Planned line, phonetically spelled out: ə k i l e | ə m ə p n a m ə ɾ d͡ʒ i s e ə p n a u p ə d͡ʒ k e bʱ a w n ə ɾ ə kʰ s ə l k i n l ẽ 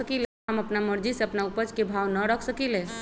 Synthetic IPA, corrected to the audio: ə k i l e | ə m ə p n a m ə ɾ d͡ʒ i s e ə p n a u p ə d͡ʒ k e bʱ a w n ə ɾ ə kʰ s ə k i l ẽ